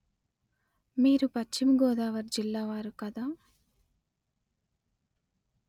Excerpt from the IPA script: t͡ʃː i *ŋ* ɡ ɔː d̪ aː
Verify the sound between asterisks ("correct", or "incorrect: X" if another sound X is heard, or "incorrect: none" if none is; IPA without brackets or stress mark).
incorrect: m